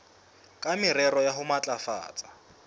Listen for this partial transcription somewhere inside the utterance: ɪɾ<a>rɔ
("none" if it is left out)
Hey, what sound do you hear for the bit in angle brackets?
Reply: ɛ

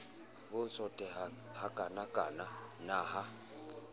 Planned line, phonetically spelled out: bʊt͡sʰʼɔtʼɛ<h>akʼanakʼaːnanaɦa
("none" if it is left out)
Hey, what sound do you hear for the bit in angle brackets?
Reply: h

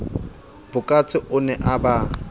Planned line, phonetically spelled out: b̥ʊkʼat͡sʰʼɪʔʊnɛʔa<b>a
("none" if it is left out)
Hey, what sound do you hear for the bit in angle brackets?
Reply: b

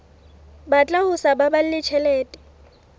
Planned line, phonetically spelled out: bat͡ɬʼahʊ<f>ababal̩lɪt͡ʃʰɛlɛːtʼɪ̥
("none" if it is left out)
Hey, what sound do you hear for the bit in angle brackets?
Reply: s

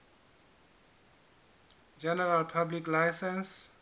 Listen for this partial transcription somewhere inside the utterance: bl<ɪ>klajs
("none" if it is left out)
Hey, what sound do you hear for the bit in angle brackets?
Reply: i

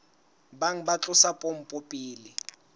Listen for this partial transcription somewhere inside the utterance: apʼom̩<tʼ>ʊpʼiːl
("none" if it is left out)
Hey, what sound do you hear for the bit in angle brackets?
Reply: pʼ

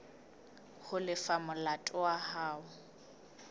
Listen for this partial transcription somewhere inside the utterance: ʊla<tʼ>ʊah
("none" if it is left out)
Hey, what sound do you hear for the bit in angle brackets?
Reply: tʼ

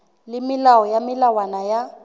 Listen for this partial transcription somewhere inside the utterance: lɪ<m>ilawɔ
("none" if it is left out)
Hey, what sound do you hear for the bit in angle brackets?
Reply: m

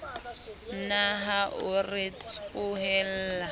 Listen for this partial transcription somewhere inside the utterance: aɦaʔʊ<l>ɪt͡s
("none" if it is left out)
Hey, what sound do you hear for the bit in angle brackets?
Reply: r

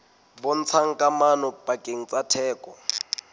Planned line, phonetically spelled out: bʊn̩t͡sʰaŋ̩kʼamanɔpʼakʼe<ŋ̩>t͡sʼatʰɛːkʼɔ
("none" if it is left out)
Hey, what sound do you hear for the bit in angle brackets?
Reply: ŋ̩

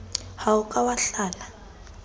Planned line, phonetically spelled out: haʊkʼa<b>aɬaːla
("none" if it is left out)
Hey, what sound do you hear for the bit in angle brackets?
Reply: w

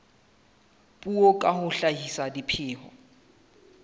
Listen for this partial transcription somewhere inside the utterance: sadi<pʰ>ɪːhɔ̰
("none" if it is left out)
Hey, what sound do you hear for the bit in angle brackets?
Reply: pʰ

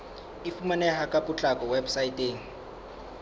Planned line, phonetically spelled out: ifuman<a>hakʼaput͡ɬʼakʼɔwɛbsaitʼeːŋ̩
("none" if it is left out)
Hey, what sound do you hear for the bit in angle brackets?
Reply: ɛ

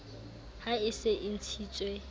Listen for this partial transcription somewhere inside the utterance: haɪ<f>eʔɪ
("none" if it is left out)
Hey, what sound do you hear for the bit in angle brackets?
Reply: s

